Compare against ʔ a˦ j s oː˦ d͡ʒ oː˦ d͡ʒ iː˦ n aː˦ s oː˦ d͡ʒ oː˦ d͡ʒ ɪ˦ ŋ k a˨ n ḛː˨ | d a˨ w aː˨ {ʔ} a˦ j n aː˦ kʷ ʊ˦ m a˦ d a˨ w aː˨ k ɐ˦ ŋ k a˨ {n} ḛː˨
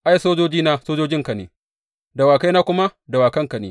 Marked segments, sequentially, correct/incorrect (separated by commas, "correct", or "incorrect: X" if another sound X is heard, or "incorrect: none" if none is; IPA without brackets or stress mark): incorrect: k, correct